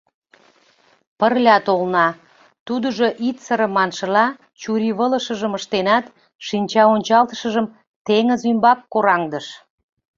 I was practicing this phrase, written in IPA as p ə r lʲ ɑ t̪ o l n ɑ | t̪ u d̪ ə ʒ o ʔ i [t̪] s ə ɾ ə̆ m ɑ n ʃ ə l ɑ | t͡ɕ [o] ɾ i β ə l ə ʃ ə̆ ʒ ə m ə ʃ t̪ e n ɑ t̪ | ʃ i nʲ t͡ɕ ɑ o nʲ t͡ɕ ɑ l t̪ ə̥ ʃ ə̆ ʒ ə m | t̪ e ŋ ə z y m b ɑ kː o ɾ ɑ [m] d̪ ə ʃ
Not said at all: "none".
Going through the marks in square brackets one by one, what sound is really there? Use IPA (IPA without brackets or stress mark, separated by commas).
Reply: t̪, u, ŋ